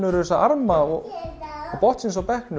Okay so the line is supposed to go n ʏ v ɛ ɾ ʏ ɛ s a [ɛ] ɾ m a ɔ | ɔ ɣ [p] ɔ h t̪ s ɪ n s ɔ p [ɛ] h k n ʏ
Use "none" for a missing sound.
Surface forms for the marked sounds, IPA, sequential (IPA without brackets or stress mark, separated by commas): a, p, ɛ